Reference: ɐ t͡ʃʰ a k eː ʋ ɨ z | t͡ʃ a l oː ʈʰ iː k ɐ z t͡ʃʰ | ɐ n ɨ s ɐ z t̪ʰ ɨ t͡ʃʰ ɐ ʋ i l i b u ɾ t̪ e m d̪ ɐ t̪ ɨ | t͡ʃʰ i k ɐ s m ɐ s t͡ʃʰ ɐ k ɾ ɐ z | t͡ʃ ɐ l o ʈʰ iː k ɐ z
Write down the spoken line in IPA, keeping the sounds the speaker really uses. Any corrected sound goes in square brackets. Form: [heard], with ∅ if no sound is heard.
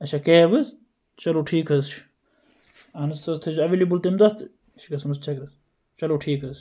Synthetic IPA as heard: ɐ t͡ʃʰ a k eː ʋ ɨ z | t͡ʃ [ɐ] l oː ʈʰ iː k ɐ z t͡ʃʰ | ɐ n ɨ s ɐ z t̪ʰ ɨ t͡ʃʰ ɐ ʋ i l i b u [l] t̪ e m d̪ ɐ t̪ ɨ | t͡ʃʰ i k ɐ s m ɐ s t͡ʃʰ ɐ k ɾ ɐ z | t͡ʃ ɐ l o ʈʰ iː k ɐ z